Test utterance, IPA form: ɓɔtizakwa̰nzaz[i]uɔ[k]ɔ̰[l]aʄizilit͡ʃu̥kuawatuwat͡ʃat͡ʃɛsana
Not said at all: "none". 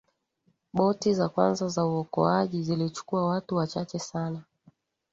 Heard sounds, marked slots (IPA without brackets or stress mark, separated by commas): a, k, none